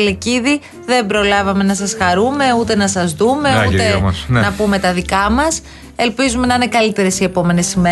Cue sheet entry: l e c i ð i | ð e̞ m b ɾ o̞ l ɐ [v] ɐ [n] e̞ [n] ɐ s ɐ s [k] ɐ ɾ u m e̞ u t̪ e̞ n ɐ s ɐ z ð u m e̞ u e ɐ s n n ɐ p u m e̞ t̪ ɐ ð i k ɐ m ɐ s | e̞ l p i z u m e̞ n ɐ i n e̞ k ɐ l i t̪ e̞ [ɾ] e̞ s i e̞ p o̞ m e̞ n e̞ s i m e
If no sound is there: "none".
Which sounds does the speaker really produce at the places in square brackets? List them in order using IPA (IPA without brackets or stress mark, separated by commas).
v, m, n, x, ɾ